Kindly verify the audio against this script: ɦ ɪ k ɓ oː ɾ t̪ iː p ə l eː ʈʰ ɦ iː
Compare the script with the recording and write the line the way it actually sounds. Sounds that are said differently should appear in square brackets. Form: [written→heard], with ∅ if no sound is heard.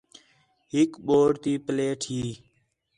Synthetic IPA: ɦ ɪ k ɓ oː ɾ t̪ iː p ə l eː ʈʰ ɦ iː